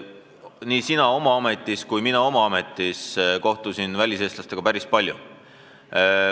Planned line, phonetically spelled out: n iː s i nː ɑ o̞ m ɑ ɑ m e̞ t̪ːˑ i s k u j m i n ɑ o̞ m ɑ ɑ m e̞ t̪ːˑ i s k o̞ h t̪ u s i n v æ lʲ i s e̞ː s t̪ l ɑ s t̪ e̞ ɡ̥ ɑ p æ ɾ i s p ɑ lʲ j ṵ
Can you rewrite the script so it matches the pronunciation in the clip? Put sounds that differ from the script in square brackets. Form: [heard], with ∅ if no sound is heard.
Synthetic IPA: n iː s i [n] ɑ o̞ m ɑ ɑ m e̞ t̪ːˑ i s k u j m i n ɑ o̞ m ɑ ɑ m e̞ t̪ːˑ i s k o̞ h t̪ u s i n v æ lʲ i s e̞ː s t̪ l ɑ s t̪ e̞ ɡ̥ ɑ p æ ɾ i s p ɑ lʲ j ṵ